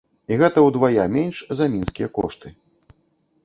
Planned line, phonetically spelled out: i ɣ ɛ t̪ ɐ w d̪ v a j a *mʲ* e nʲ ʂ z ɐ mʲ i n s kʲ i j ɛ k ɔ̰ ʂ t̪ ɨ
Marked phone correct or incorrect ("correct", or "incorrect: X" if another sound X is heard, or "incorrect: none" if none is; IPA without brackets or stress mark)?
correct